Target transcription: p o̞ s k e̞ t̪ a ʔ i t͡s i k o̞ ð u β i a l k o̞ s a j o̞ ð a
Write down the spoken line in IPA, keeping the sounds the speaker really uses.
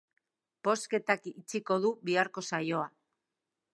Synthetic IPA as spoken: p o̞ s k e̞ t̪ a k i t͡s i k o̞ ð u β i a ɾ k o̞ s a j o̞ a